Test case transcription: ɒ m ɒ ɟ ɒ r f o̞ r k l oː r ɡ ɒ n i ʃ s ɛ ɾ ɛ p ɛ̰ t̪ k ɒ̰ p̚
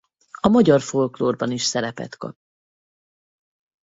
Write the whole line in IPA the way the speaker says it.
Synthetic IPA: ɒ m ɒ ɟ ɒ r f o̞ l k l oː r b ɒ n i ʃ s ɛ ɾ ɛ p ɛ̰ t̪ k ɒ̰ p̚